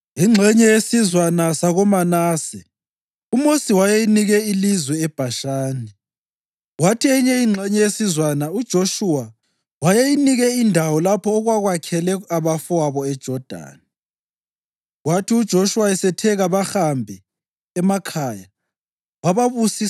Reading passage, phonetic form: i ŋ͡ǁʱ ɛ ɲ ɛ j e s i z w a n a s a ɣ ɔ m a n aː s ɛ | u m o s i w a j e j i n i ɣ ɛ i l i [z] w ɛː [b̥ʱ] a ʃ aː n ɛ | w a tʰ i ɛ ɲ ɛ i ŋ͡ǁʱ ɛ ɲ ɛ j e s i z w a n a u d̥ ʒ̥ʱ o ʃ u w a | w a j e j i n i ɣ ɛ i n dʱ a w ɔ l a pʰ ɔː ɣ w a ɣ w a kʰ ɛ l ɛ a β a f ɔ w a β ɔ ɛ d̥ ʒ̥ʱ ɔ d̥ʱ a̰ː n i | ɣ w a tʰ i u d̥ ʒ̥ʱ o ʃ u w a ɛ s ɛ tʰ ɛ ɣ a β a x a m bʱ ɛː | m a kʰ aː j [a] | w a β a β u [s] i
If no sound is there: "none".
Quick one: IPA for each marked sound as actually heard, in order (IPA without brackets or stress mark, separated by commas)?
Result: z, b̥ʱ, a, s